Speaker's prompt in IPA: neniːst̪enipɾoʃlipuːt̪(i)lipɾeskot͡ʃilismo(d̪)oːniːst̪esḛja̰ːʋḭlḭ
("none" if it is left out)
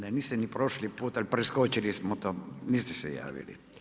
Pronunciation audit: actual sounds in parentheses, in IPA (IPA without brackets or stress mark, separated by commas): a, t̪